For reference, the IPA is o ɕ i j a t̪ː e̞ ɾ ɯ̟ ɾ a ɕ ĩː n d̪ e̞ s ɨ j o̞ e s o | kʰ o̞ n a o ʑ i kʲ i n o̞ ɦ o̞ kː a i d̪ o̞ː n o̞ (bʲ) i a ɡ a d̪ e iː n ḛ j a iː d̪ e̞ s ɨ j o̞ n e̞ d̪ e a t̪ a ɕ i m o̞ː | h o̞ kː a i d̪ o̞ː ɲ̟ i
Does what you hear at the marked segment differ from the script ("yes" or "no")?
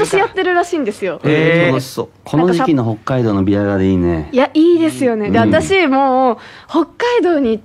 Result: no